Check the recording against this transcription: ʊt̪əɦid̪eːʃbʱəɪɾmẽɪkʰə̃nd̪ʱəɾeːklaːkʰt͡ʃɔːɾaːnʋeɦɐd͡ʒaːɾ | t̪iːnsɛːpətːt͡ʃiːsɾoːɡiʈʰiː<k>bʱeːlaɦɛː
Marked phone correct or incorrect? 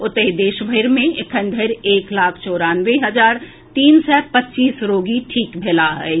correct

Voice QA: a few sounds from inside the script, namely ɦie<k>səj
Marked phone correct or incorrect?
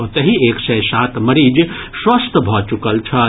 correct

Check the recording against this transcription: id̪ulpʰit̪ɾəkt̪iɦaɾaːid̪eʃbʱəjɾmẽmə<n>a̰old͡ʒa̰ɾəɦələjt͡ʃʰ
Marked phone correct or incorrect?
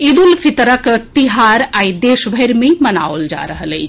correct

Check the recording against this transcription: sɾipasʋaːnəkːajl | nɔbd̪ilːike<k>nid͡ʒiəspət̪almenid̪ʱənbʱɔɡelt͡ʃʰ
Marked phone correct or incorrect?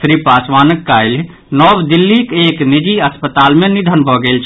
correct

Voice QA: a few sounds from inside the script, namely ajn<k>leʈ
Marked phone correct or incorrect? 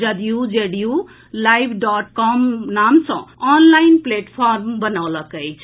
incorrect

